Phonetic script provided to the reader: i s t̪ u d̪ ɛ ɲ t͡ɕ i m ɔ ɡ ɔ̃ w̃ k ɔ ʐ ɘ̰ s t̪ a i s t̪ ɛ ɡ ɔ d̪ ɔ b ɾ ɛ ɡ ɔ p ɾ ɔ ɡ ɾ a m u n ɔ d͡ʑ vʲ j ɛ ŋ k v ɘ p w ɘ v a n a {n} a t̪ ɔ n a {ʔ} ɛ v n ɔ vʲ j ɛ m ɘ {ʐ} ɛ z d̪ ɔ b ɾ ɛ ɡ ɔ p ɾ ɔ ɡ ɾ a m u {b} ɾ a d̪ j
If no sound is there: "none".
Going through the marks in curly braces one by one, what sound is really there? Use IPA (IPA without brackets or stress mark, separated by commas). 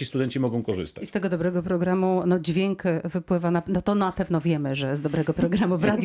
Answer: n, p, ʐ, v